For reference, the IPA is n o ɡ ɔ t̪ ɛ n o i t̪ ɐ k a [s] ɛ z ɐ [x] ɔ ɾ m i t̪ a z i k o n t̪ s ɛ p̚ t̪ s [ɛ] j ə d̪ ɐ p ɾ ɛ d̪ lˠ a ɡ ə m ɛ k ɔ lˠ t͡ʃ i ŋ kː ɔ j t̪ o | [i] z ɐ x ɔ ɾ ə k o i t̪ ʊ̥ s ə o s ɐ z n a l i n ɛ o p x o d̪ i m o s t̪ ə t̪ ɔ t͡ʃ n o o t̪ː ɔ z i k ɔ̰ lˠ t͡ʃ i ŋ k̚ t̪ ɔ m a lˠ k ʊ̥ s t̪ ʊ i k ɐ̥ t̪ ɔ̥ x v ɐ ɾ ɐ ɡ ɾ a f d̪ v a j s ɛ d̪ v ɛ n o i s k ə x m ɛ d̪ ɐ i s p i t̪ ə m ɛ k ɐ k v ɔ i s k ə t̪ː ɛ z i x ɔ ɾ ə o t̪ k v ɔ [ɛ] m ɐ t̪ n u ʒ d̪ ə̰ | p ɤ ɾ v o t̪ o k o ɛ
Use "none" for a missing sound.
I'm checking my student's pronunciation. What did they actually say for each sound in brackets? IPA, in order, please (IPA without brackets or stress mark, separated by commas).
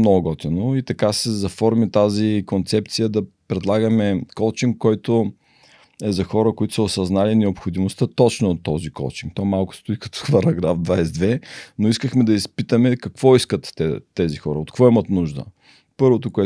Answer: s, f, i, ɛ, i